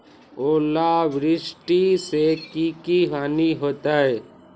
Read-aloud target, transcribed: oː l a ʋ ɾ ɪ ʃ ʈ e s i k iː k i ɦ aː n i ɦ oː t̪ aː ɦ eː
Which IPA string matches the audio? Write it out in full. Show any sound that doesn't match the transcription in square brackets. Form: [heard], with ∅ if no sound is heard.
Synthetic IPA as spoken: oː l a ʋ ɾ ɪ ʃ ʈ [i] s [e] k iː k i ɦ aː n i ɦ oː t̪ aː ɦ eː

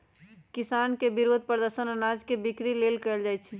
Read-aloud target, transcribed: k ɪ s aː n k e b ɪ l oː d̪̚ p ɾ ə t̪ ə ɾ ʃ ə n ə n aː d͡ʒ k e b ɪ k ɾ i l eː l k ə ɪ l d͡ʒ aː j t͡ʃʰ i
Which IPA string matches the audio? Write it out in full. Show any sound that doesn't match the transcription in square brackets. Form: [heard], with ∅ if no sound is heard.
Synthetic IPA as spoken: k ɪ s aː n k e b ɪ [ɾ] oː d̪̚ p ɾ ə [d̪] ə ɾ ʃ ə n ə n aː d͡ʒ k e b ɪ k ɾ i l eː l k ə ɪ l d͡ʒ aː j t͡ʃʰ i

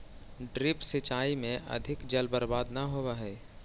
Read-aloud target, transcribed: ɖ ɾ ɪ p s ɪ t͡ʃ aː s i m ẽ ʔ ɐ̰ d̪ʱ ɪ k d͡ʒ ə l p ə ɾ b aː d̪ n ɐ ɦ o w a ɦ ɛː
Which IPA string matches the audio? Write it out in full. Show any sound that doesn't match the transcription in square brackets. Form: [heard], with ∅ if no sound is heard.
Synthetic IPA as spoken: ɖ ɾ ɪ p s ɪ t͡ʃ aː [∅] i m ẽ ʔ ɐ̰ d̪ʱ ɪ k d͡ʒ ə l [b] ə ɾ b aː d̪ n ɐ ɦ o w a ɦ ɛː

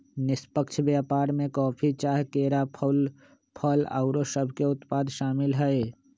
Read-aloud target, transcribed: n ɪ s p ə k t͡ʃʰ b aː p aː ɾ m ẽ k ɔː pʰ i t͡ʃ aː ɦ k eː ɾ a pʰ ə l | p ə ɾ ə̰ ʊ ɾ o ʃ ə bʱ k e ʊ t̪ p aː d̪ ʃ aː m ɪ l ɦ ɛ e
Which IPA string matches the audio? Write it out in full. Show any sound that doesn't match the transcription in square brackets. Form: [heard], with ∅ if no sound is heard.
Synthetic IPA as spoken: n ɪ s p ə k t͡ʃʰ b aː p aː ɾ m ẽ k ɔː pʰ i t͡ʃ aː ɦ k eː ɾ a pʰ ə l | [pʰ] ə [l] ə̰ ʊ ɾ o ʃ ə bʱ k e ʊ t̪ p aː d̪ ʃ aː m ɪ l ɦ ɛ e

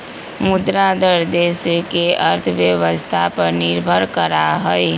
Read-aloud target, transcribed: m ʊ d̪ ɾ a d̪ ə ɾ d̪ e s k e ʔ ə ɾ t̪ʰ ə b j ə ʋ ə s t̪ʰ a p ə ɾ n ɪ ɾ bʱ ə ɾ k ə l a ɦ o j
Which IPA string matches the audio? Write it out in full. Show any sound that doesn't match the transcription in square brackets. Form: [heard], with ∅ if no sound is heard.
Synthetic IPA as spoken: m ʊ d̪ ɾ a d̪ ə ɾ d̪ e s k e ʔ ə ɾ t̪ʰ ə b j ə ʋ ə s t̪ʰ a p ə ɾ n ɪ ɾ bʱ ə ɾ k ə [ɾ] a ɦ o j

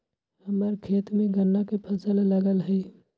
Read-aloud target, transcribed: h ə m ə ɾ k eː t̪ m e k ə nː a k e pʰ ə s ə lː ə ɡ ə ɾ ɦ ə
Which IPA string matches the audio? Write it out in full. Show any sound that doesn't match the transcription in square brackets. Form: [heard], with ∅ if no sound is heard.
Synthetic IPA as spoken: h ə m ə ɾ [kʰ] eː t̪ m e [ɡ] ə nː a k e pʰ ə s ə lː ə ɡ ə [l] ɦ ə

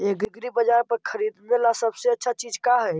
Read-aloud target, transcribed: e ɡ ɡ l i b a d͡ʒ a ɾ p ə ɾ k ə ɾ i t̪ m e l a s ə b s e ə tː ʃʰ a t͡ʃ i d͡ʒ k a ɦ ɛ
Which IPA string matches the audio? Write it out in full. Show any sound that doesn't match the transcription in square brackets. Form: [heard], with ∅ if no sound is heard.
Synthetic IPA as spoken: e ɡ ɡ [ɾ] i b [ə] d͡ʒ a ɾ p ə ɾ [kʰ] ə ɾ i [d̪] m e l a s ə b s e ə tː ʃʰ a t͡ʃ i d͡ʒ k a ɦ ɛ

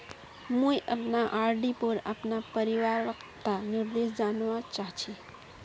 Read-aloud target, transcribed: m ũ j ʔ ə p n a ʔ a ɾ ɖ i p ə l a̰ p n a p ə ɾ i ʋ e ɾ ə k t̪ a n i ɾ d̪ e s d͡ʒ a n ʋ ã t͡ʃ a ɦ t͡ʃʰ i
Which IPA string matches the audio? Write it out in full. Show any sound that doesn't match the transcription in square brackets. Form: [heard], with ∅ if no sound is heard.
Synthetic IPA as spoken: m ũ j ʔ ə p n a ʔ a ɾ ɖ i p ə [ɾ] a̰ p n a p ə ɾ i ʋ [a] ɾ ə k t̪ a n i ɾ d̪ e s d͡ʒ a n ʋ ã t͡ʃ a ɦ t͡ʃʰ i

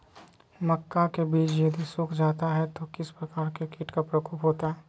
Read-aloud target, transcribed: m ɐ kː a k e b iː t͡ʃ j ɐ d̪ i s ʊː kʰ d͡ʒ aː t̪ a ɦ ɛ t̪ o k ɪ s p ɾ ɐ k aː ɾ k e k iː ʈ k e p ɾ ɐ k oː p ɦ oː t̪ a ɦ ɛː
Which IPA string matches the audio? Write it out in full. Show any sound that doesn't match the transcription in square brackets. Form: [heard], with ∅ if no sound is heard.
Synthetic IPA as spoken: m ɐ kː a k e b iː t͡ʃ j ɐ d̪ i s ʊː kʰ d͡ʒ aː t̪ a ɦ ɛ t̪ o k ɪ s p ɾ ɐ k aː ɾ k e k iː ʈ k [a] p ɾ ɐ k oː p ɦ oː t̪ a ɦ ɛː

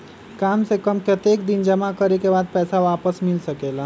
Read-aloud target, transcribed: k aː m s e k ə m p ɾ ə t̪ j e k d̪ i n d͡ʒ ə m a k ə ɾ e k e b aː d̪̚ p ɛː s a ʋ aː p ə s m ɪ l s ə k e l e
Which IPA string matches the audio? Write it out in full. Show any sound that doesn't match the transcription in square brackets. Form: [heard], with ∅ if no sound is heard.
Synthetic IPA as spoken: k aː m s e k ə m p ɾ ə t̪ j e k d̪ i n d͡ʒ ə m a k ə ɾ e k e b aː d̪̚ p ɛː s a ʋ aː p ə s m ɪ l s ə k e l [a]

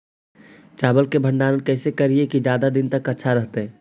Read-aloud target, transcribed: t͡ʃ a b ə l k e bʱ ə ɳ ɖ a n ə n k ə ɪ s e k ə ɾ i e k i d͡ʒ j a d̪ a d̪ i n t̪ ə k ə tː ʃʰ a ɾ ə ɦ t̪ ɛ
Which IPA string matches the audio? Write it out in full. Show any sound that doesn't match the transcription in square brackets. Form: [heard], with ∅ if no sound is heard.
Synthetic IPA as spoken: t͡ʃ a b ə l k e bʱ ə ɳ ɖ a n ə n k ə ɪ s e k ə ɾ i e k i d͡ʒ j a d̪ a d̪ i n t̪ ə k ə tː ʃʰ a ɾ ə ɦ t̪ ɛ

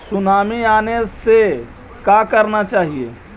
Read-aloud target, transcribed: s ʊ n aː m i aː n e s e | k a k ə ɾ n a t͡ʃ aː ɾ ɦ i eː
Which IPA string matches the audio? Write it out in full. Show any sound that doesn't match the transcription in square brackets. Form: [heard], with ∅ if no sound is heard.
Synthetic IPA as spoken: s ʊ n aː m i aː n e s e | k a k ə ɾ n a t͡ʃ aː [∅] ɦ i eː

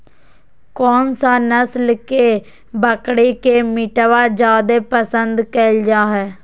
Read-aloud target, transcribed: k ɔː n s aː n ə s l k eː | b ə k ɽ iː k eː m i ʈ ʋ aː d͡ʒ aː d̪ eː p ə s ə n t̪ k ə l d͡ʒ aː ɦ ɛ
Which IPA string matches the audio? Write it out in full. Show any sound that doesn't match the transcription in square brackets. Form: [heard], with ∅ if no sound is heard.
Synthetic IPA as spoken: k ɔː n s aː n ə s l k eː | b ə k ɽ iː k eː m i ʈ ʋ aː d͡ʒ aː d̪ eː p ə s ə n [d̪] k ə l d͡ʒ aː ɦ [ɛː]

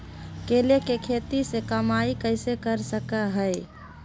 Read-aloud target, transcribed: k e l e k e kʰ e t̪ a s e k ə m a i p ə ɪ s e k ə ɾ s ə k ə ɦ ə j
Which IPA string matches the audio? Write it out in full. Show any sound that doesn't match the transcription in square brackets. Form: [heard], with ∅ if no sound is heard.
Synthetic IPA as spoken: k e l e k e kʰ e t̪ [i] s e k ə m a i [k] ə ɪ s e k ə ɾ s ə k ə ɦ ə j

